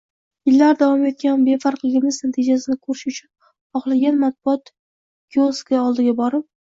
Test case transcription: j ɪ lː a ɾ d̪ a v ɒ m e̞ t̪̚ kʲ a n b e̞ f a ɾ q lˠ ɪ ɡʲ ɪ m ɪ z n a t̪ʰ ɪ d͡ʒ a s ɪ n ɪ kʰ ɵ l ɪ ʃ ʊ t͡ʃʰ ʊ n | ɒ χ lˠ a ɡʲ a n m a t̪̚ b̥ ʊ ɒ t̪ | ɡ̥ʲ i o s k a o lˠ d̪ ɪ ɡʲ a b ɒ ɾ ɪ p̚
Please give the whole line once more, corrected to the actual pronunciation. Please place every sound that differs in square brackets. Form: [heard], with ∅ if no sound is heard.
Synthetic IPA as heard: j ɪ lː a ɾ d̪ a v ɒ m e̞ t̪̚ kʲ a n b e̞ f a ɾ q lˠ ɪ ɡʲ ɪ m ɪ z n a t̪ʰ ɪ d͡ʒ a s ɪ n ɪ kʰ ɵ [ɾ] ɪ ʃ ʊ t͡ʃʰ ʊ n | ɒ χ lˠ a ɡʲ a n m a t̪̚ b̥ ʊ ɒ t̪ | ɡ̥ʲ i o s k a [ɒ] lˠ d̪ ɪ ɡʲ a b ɒ ɾ ɪ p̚